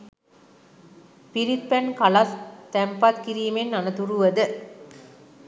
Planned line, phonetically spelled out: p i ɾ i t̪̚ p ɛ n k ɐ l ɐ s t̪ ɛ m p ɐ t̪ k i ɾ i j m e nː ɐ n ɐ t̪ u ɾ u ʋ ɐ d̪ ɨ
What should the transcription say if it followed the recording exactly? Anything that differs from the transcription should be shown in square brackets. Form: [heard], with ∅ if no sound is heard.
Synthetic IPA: p i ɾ i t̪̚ p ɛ n k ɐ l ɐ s t̪ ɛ m p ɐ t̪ k i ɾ i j m e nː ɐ n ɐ t̪ u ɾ u ʋ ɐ d̪ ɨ